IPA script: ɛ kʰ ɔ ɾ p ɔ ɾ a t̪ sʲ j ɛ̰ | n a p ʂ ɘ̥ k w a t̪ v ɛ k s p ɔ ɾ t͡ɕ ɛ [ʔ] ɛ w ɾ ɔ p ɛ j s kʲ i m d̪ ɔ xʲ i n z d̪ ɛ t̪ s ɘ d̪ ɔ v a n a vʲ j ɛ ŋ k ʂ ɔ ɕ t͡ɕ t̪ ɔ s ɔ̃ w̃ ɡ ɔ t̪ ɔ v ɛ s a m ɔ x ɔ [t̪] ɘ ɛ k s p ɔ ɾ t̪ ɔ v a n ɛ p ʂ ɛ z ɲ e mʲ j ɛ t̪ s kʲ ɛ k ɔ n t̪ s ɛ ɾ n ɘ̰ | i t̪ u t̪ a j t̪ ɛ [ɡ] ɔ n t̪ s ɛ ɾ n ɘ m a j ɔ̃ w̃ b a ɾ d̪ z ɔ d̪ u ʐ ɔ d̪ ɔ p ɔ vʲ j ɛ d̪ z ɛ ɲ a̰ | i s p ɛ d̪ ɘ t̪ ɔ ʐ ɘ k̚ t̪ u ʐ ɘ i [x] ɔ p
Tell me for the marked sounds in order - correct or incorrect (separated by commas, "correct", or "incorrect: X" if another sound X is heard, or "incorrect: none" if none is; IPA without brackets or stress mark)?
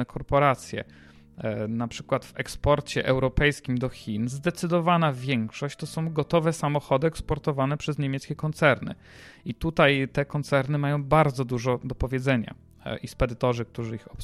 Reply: correct, incorrect: d̪, incorrect: k, correct